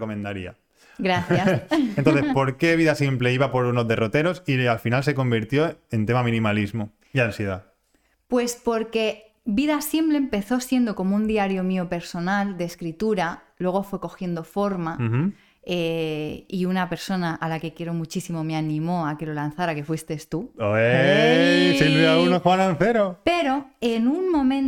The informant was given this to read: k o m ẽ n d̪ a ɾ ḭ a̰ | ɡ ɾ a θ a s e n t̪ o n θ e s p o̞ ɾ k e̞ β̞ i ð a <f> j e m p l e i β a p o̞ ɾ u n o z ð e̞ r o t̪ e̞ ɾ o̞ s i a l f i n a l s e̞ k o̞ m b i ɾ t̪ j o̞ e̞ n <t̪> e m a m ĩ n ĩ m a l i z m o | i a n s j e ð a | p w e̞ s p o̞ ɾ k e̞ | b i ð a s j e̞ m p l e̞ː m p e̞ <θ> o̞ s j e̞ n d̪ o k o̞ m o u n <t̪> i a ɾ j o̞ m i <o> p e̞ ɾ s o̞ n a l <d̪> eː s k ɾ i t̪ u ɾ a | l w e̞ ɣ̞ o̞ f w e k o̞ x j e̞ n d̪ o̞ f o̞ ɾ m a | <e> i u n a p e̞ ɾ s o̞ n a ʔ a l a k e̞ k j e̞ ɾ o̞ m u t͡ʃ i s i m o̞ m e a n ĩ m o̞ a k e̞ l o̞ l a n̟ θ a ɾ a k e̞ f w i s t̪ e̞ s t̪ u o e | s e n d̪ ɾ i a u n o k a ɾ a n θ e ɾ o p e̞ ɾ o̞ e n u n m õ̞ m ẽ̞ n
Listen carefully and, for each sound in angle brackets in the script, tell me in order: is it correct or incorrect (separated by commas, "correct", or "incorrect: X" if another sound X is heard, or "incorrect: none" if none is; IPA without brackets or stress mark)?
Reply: incorrect: s, correct, correct, incorrect: d̪, correct, correct, correct